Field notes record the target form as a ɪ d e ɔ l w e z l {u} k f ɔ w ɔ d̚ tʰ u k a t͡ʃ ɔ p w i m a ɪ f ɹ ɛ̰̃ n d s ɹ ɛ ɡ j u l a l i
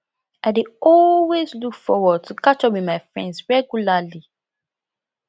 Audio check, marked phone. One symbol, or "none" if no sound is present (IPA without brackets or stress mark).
u